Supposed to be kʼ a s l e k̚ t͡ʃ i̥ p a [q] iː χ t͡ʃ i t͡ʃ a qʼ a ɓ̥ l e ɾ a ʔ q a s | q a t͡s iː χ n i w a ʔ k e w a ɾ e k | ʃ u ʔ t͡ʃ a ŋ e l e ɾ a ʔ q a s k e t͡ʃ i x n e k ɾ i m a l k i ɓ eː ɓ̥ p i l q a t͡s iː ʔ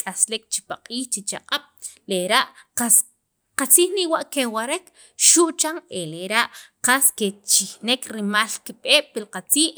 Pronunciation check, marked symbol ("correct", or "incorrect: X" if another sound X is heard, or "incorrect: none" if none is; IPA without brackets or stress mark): incorrect: qʼ